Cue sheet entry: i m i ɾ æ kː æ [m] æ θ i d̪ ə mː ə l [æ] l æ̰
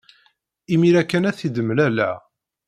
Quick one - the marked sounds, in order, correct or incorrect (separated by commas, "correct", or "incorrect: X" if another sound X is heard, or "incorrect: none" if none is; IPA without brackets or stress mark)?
incorrect: n, correct